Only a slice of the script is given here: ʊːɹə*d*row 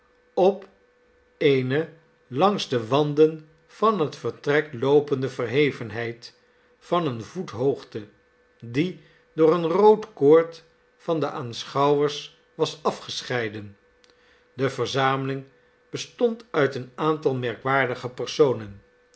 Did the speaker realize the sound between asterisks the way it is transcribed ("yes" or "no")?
no